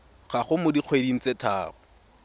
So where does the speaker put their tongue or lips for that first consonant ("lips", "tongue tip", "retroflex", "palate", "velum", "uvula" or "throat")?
uvula